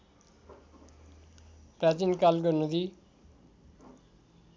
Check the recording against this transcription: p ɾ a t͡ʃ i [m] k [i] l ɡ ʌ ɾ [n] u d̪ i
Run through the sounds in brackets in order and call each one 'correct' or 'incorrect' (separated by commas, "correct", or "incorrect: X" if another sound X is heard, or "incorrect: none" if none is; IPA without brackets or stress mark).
incorrect: n, incorrect: a, correct